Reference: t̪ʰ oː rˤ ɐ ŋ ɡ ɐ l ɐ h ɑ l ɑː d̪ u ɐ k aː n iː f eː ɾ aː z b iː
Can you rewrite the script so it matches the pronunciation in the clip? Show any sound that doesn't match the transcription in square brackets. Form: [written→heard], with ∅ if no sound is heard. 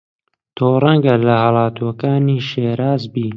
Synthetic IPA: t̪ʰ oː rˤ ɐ ŋ ɡ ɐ l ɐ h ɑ l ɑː [d̪→t̪] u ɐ k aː n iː [f→ʃ] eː ɾ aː z b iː